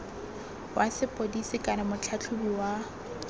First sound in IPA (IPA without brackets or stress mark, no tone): w